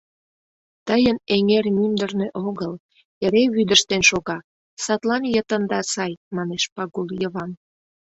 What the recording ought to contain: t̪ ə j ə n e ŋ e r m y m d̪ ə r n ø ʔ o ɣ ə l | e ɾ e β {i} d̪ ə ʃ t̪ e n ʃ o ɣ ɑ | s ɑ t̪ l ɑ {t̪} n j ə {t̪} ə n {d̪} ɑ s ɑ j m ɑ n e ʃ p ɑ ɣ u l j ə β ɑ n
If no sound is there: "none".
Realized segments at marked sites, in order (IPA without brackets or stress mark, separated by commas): y, none, t̪, d̪